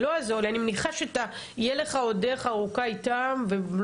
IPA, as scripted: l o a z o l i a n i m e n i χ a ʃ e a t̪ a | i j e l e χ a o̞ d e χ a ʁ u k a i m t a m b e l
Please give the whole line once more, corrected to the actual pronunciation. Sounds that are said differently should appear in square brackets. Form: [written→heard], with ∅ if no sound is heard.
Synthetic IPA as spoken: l o a z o l i a n i m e n i χ a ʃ e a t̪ a | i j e l e χ a o̞ d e χ a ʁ u k a i [m→∅] t a m [b→v] e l